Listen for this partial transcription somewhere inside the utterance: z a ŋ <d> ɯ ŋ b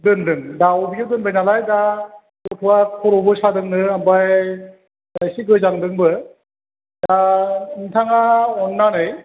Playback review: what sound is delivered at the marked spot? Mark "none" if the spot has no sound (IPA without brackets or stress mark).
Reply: d